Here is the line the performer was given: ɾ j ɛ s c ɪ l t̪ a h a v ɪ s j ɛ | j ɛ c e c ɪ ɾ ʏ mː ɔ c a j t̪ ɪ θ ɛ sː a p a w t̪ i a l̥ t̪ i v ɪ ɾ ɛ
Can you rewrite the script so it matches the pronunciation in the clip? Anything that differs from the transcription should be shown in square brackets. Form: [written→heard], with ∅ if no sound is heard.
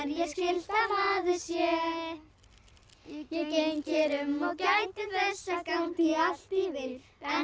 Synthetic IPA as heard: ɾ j ɛ s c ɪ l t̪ a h a [v→ð] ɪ s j ɛ | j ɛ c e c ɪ ɾ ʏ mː ɔ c a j t̪ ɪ θ ɛ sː a [p→k] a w t̪ i a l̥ t̪ i v ɪ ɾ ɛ